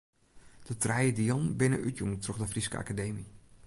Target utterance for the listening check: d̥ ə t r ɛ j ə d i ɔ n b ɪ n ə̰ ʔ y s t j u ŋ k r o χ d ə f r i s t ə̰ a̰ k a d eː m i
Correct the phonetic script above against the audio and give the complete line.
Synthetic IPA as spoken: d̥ ə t r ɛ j ə d i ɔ n b ɪ n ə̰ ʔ y t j u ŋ t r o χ d ə f r i s k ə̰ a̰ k a d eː m i